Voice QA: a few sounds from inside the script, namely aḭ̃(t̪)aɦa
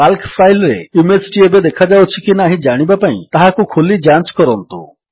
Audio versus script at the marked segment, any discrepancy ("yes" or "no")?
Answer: no